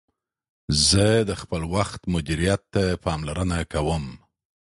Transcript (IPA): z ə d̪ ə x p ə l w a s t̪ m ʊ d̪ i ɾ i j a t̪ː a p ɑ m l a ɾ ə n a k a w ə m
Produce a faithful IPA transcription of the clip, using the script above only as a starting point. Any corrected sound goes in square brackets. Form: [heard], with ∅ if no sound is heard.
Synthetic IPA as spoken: z ə d̪ ə x p ə l w a [x] t̪ m ʊ d̪ i ɾ i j a t̪ː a p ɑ m l a ɾ ə n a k a w ə m